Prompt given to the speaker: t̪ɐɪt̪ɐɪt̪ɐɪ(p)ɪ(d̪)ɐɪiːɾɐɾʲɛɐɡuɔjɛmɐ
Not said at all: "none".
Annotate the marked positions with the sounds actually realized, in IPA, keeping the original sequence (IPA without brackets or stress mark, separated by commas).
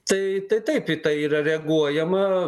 p, t̪